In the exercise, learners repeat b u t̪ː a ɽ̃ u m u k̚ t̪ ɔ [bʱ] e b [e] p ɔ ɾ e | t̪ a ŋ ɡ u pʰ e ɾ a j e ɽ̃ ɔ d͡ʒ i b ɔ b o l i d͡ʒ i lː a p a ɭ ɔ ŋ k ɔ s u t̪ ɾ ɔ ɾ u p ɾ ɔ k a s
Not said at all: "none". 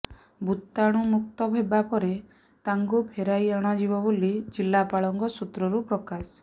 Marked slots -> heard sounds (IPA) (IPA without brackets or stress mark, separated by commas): bʱ, a